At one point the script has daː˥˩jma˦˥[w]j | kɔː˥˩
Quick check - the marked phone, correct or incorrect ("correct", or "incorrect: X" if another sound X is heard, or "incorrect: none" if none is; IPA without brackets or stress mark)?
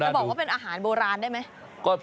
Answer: incorrect: none